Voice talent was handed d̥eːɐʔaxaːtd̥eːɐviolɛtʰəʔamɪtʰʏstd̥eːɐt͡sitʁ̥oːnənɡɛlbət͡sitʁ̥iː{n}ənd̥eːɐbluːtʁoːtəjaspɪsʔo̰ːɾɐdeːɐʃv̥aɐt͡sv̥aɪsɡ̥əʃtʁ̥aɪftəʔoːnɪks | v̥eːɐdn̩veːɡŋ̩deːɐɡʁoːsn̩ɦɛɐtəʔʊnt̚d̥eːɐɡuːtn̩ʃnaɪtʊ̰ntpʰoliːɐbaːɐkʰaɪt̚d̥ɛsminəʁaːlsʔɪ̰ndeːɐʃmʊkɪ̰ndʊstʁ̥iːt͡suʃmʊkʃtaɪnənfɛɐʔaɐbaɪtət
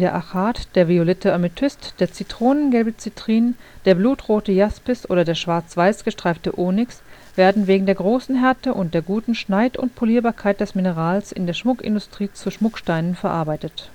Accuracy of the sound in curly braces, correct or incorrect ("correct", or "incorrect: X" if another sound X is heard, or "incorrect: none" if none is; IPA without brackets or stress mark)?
correct